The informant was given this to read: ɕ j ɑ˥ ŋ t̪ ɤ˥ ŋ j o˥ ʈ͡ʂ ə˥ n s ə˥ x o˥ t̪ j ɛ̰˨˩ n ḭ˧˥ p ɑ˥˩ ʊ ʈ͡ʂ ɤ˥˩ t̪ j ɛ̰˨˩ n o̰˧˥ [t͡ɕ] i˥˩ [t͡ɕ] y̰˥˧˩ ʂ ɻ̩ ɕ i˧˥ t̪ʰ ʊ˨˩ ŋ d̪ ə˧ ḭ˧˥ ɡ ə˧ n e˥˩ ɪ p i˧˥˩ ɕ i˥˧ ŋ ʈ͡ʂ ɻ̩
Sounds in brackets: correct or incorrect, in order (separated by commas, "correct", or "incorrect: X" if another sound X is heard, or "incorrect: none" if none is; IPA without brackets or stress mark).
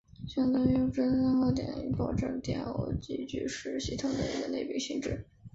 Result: correct, correct